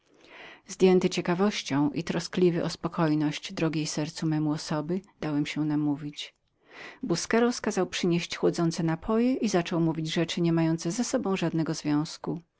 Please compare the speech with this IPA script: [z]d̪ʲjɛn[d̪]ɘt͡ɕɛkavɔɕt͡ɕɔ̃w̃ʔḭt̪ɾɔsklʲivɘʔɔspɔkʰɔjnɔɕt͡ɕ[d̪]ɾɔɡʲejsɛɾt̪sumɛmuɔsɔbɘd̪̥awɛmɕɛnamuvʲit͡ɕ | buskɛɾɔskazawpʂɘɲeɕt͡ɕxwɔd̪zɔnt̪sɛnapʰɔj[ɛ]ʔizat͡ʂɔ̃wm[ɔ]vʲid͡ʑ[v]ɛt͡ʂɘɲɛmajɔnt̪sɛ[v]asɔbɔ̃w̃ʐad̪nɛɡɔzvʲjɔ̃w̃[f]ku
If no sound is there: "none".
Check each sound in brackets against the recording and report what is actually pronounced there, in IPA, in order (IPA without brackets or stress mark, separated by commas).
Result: z, t̪, d̪, ɛ, u, ʐ, z, s